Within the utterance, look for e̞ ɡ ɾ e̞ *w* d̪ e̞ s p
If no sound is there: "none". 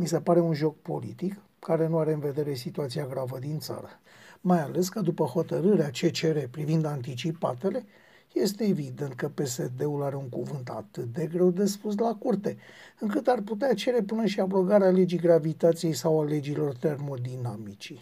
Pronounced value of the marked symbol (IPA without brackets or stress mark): w